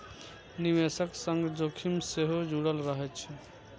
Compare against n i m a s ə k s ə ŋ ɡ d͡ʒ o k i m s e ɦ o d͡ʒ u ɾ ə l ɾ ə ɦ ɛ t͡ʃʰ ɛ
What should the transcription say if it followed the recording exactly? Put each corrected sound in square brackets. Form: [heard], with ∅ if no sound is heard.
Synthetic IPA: n i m [e] s ə k s ə ŋ ɡ d͡ʒ o [kʰ] i m s e ɦ o d͡ʒ u [ɽ] ə l ɾ ə ɦ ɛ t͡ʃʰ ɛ